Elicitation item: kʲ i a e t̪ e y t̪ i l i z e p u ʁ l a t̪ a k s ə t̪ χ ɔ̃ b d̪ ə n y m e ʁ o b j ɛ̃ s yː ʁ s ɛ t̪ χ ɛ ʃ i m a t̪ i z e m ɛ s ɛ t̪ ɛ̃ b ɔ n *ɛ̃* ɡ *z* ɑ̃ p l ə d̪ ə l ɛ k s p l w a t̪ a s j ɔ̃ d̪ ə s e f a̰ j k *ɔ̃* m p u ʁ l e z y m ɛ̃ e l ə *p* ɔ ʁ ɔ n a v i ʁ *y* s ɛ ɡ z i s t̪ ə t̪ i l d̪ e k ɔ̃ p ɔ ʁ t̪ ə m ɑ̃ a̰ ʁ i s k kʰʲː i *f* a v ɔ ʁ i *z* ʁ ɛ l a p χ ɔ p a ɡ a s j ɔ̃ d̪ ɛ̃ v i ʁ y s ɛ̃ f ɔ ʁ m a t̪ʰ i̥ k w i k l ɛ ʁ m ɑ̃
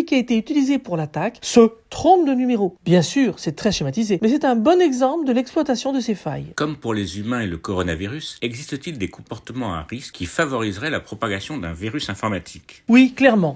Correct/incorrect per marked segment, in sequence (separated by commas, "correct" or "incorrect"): incorrect, correct, incorrect, incorrect, correct, correct, correct